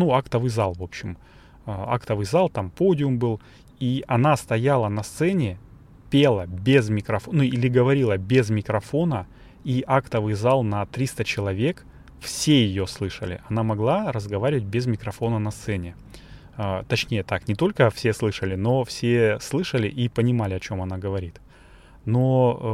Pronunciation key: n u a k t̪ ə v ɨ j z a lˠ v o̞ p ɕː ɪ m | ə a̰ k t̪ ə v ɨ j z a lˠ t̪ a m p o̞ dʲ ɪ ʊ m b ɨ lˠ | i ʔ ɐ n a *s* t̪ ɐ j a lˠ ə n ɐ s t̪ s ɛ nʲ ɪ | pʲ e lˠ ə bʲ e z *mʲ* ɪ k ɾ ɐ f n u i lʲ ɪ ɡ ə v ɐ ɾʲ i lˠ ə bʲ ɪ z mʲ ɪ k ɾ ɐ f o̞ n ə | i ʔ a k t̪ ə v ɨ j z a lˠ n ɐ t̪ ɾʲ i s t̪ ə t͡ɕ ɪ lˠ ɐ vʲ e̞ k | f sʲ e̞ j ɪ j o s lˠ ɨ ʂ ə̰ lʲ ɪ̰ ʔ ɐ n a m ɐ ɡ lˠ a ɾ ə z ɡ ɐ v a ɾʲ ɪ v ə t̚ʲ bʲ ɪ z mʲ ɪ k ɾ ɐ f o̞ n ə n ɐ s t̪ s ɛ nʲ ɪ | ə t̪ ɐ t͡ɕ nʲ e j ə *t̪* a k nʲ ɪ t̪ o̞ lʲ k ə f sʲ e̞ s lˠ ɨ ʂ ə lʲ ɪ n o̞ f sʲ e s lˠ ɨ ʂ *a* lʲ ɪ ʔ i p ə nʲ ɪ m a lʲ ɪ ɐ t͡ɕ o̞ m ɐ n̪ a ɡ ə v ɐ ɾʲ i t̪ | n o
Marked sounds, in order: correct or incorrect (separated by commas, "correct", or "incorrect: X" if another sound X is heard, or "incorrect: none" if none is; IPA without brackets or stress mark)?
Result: correct, correct, correct, incorrect: ə